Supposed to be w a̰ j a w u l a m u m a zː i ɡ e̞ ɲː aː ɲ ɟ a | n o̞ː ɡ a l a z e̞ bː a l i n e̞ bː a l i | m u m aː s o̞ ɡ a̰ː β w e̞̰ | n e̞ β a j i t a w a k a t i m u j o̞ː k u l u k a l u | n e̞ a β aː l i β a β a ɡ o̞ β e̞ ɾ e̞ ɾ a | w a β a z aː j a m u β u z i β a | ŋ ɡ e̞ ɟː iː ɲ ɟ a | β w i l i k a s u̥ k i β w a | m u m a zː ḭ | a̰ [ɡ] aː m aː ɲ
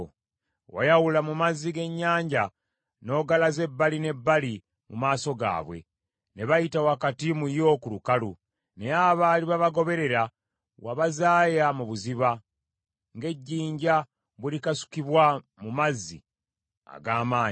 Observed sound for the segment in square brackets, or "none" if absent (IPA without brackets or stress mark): ɡ